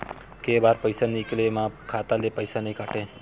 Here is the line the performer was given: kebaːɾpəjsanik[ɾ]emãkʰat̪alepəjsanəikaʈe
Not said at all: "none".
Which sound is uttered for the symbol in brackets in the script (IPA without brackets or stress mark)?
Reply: l